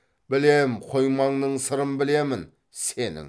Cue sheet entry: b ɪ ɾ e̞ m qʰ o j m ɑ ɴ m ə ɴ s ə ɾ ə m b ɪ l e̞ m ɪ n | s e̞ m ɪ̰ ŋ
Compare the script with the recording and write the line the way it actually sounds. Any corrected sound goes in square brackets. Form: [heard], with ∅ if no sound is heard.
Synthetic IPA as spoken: b ɪ [l] e̞ m qʰ o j m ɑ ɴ [n] ə ɴ s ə ɾ ə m b ɪ l e̞ m ɪ n | s e̞ [n] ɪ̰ ŋ